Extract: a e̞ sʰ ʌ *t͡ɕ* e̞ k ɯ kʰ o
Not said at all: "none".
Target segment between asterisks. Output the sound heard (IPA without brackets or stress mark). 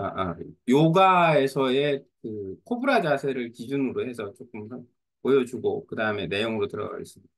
none